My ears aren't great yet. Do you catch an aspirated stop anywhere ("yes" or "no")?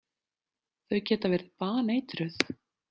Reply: no